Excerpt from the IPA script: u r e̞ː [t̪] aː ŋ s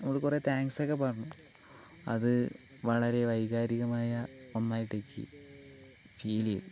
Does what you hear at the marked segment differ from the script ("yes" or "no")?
no